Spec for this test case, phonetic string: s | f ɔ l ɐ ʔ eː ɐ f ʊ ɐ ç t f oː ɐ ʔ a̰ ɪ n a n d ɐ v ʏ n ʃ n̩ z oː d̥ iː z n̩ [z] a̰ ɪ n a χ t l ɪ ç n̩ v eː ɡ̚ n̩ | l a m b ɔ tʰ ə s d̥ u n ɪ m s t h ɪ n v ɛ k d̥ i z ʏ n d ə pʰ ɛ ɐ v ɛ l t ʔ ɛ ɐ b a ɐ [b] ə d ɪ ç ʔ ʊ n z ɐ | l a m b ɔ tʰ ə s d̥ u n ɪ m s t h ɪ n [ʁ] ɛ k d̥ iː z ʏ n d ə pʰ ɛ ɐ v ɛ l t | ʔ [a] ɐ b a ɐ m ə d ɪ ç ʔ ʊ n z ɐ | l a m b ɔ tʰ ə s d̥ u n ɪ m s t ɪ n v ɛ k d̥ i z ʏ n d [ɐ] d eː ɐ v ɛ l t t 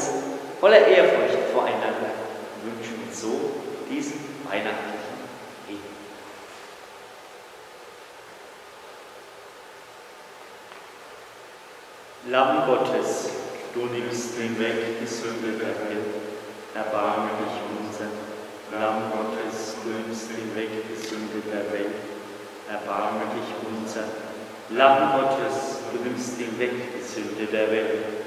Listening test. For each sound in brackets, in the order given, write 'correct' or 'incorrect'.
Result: incorrect, incorrect, incorrect, incorrect, incorrect

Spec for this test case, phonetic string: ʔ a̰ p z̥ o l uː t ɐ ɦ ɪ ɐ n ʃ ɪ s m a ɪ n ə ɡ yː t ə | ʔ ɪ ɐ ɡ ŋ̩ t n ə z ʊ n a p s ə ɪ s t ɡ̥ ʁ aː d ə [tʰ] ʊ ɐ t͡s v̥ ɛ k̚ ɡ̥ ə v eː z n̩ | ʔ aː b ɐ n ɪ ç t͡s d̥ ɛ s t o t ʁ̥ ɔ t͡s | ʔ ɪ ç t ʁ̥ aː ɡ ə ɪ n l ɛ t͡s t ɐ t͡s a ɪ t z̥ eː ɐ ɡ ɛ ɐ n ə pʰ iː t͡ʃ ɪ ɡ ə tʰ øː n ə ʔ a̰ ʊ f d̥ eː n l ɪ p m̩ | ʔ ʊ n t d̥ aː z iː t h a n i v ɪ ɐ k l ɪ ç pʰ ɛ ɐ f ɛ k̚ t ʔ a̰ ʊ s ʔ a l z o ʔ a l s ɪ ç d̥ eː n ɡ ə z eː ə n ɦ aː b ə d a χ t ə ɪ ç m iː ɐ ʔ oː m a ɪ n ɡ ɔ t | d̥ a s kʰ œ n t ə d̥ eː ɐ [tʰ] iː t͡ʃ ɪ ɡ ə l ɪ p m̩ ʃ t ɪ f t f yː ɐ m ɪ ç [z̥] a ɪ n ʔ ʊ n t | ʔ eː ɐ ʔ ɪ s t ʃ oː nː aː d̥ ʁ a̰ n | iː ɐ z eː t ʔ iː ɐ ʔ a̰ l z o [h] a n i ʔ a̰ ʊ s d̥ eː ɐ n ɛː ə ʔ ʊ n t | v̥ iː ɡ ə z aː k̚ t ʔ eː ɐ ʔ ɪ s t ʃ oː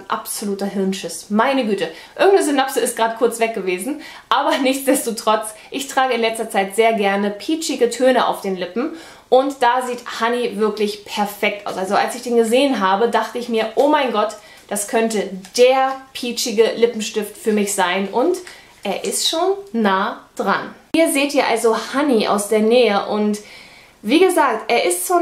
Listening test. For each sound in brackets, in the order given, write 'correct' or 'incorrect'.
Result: incorrect, incorrect, correct, correct

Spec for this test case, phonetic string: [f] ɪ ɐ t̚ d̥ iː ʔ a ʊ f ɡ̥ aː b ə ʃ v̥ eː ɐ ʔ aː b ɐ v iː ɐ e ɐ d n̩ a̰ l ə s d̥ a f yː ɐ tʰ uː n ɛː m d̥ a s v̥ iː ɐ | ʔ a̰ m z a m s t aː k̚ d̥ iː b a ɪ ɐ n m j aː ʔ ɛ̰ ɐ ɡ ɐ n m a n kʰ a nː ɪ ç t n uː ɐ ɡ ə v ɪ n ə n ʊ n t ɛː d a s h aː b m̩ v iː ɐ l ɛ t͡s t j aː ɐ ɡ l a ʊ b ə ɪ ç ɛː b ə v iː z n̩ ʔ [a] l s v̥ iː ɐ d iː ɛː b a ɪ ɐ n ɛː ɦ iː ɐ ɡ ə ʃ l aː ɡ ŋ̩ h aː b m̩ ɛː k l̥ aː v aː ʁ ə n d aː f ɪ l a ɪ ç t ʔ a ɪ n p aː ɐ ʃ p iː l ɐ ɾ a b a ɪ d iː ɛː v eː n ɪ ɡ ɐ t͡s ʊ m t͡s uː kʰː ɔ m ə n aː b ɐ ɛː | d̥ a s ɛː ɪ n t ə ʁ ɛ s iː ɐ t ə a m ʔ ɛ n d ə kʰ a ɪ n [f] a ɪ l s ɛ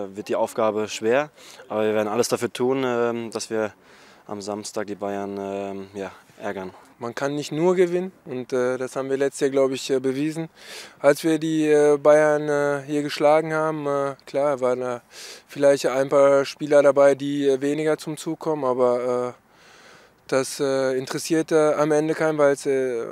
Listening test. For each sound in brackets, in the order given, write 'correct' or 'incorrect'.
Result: incorrect, correct, incorrect

